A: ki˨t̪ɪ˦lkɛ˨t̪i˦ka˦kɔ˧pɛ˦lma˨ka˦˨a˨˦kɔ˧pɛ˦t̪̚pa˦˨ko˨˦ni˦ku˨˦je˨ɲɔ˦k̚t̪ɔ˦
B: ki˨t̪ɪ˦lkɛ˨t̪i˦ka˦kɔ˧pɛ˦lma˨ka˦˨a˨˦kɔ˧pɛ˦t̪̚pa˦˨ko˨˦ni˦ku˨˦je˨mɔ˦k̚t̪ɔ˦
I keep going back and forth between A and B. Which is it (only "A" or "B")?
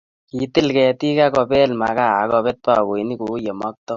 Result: B